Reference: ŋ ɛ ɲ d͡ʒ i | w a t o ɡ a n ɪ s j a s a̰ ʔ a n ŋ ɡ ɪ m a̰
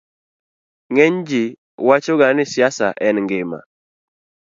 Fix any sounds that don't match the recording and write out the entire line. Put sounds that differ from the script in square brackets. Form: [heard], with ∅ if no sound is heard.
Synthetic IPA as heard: ŋ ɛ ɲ d͡ʒ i | w a [t͡ʃ] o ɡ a n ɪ s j a s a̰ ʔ [ɛ] n ŋ ɡ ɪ m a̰

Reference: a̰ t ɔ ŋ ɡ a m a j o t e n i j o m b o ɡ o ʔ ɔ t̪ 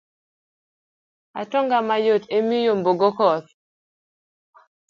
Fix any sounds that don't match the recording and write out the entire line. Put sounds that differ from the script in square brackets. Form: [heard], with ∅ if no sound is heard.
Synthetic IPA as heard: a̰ t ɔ ŋ ɡ a m a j o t e [m] i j o m b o ɡ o [k] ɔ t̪

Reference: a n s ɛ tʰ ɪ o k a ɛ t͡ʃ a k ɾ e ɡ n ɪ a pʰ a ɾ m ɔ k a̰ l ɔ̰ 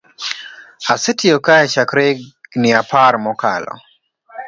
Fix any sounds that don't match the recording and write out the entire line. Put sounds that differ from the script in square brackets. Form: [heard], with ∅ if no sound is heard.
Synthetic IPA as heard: a [∅] s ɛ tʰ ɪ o k a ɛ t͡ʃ a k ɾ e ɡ n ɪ a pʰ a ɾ m ɔ k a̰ l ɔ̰

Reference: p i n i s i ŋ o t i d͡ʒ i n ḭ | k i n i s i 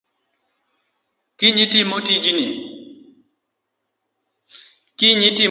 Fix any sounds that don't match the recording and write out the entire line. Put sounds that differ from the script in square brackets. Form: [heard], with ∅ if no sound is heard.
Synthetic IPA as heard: [k] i [ɲ] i [t] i [m] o t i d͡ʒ i n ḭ | k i [ɲ] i [t] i

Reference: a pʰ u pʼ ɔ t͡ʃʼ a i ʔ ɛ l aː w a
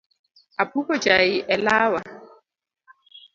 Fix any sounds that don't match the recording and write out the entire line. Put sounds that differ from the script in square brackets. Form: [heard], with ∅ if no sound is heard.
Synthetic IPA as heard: a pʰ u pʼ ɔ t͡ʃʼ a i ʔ ɛ l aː w a

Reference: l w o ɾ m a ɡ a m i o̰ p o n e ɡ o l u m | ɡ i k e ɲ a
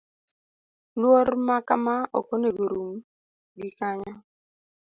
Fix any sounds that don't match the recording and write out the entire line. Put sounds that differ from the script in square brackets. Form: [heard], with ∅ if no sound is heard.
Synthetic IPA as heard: l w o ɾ m a [k] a m [a] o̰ [k] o n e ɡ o [ɾ] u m | ɡ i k [a] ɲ a

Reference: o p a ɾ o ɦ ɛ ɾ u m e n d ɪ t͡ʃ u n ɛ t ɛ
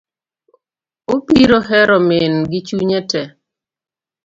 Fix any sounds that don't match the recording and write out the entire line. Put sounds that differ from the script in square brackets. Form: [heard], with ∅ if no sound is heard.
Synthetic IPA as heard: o p [i] ɾ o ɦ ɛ ɾ [ɔ] m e n [ɡ] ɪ t͡ʃ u [ɲ] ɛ t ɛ

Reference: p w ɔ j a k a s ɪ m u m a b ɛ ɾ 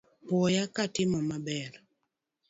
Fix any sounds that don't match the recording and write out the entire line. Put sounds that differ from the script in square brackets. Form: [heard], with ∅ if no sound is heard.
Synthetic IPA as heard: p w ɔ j a k a [t] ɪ m [ɔ] m a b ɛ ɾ

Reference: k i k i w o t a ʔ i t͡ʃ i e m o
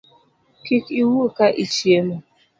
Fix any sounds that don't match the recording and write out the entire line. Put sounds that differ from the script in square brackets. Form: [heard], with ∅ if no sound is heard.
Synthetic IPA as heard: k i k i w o [k] a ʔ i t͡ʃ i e m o

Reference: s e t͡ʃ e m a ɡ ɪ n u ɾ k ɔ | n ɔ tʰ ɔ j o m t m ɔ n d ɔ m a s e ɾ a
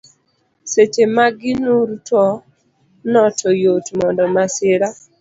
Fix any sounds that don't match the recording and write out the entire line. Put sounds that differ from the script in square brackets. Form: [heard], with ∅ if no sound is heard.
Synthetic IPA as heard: s e t͡ʃ e m a ɡ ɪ n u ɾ [t] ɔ | n ɔ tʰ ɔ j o [∅] t m ɔ n d ɔ m a s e ɾ a

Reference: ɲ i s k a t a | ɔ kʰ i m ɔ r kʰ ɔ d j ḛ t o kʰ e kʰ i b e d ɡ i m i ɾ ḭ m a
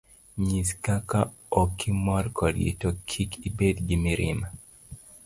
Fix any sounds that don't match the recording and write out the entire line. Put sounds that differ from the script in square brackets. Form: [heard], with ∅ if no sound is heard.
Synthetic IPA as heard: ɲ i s k a [k] a | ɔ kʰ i m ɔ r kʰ ɔ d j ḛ t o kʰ [i] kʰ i b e d ɡ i m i ɾ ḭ m a

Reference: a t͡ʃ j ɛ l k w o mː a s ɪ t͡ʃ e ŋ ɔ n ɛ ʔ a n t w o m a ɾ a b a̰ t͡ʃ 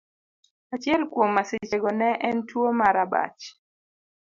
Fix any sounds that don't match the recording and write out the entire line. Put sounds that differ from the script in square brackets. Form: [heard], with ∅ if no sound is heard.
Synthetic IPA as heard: a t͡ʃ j ɛ l k w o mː a s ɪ t͡ʃ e [ɡ] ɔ n ɛ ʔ [ɛ] n t w o m a ɾ a b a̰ t͡ʃ

